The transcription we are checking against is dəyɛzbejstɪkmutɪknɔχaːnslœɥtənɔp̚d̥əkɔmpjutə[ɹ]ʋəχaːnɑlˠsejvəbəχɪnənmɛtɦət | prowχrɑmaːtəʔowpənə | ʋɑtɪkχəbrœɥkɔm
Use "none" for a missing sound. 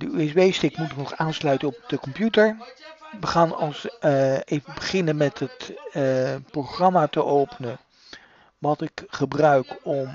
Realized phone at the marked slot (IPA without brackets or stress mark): ɹ